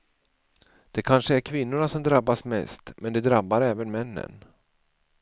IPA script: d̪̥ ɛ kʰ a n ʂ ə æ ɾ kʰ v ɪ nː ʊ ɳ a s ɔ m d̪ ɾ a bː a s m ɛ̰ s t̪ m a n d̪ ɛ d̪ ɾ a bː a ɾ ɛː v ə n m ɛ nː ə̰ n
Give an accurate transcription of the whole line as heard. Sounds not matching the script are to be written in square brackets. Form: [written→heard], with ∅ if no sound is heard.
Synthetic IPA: d̪̥ ɛ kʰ a n ʂ ə æ ɾ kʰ v ɪ nː ʊ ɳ a s ɔ m d̪ ɾ a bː a s m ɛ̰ s t̪ m [a→ɛ] n d̪ ɛ d̪ ɾ a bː a ɾ ɛː v ə n m ɛ nː ə̰ n